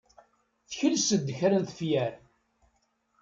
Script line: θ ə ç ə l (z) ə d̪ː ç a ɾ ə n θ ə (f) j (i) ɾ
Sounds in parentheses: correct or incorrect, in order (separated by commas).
incorrect, correct, incorrect